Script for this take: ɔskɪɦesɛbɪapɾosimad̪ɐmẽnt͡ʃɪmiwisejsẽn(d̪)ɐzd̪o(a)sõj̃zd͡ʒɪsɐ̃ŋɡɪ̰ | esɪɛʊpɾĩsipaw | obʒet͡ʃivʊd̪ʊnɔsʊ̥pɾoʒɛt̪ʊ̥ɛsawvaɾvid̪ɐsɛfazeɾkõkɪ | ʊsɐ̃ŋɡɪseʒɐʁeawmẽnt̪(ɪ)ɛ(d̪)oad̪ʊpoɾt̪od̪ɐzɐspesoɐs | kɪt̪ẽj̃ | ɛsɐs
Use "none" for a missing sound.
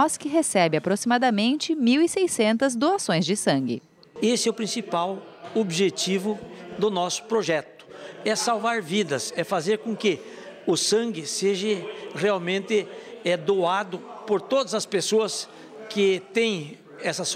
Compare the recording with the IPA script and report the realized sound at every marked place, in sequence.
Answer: t̪, a, ɪ, d̪

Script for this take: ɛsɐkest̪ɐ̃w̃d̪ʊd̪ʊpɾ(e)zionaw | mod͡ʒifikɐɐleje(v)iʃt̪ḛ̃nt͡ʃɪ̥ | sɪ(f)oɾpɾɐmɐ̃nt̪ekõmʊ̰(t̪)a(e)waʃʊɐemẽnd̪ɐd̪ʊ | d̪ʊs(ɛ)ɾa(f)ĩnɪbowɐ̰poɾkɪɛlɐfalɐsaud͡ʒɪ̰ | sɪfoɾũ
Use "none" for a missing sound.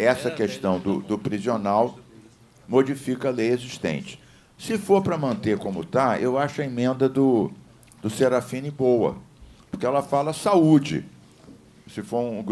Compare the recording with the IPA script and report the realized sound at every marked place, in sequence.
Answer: i, z, f, t̪, e, e, f

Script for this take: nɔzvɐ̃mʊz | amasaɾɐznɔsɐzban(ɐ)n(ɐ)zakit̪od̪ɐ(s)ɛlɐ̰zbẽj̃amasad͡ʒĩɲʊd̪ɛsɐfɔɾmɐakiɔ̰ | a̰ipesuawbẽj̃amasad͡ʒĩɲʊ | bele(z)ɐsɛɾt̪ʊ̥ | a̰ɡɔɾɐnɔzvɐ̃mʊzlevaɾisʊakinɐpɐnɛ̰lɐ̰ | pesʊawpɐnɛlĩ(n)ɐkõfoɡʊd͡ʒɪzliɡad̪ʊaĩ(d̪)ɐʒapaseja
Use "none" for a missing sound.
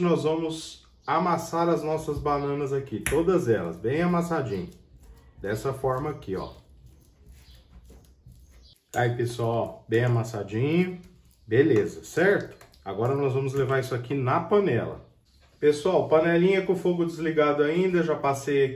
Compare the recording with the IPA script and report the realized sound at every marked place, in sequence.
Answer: ɐ̃, ɐ, z, z, ɲ, d̪

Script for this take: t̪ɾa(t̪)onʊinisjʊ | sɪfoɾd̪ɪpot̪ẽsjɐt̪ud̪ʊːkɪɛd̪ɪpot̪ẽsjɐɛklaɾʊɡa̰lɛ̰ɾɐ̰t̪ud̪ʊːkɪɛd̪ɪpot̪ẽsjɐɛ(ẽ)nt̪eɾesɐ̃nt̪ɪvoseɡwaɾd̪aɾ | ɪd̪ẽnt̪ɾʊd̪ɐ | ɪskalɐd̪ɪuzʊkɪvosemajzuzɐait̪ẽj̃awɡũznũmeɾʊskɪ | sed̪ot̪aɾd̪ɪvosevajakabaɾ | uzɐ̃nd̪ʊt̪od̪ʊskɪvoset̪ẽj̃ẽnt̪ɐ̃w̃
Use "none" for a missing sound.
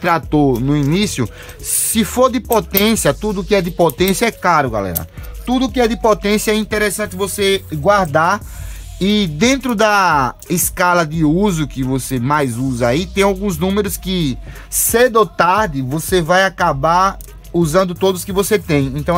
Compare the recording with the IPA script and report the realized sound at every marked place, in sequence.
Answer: t̪, ĩ

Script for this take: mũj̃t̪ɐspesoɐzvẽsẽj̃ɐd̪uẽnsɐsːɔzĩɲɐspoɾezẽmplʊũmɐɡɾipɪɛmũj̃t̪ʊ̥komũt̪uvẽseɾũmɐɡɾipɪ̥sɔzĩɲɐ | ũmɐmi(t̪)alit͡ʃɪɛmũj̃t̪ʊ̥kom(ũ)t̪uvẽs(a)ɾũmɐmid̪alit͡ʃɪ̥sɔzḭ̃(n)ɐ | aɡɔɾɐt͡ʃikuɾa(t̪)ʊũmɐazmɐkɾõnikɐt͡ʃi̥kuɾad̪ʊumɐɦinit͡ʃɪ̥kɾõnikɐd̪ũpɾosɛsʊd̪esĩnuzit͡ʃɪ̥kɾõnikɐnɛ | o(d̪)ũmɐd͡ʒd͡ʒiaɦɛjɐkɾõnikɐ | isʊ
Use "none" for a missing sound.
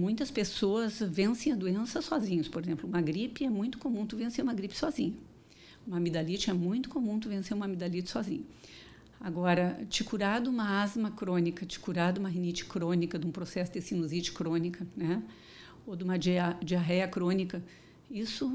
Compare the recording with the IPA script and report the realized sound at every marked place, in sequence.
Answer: d̪, ũ, e, ɲ, d̪, d̪

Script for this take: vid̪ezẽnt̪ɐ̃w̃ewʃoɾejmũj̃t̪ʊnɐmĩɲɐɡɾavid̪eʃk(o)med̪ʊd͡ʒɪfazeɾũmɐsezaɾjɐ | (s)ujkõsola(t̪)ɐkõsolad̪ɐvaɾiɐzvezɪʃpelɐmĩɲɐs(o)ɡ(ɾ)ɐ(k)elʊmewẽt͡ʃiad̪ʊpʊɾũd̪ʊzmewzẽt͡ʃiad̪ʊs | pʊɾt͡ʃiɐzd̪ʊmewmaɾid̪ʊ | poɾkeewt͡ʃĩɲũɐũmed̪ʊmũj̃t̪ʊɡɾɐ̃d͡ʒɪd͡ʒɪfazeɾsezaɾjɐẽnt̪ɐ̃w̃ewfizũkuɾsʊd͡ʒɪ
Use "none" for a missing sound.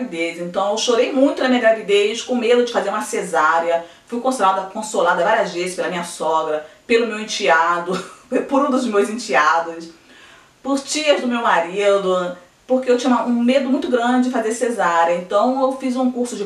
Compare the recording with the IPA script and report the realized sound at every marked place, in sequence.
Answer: õ, f, d̪, ɔ, ɾ, p

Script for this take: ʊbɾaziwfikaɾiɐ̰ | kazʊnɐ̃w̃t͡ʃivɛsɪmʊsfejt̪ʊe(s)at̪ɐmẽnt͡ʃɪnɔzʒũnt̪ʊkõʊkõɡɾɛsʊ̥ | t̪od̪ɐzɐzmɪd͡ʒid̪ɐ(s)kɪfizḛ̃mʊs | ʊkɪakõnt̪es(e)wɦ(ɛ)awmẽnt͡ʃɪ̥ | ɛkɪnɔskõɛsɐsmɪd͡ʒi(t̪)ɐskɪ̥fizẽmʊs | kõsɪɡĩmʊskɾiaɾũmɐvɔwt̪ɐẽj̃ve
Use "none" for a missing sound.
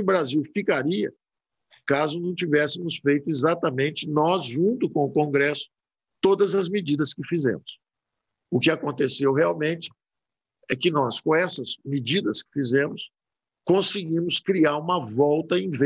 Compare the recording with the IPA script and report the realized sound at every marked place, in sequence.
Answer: z, s, e, e, d̪

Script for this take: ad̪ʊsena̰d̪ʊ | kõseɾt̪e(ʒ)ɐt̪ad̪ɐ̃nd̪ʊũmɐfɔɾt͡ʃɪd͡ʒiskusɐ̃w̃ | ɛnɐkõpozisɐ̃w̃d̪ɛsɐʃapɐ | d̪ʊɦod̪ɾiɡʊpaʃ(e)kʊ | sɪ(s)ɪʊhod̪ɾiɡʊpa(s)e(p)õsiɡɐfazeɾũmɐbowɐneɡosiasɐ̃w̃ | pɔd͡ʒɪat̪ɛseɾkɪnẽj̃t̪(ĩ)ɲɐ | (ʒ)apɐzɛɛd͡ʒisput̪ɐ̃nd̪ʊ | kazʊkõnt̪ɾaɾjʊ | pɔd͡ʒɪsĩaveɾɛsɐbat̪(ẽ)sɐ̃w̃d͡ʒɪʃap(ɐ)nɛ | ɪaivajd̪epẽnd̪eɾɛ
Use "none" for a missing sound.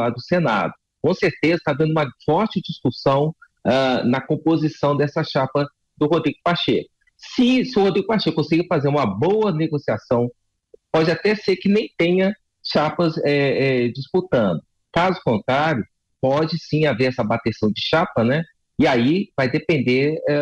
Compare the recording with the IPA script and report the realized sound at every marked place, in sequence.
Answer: z, e, s, ʃ, k, ẽ, ʃ, e, ɐ

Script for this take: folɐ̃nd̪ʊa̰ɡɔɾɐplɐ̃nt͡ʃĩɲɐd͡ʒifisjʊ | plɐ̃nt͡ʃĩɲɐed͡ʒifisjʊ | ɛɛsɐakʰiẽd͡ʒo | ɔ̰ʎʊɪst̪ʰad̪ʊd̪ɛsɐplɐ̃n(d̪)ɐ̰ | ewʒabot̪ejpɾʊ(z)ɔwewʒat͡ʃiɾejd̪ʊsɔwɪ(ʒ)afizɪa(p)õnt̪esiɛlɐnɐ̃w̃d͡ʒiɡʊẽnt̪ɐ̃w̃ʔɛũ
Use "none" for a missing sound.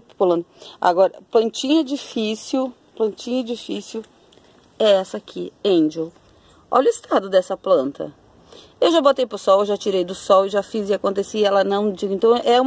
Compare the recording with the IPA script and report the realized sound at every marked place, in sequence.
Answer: t̪, s, ʒ, k

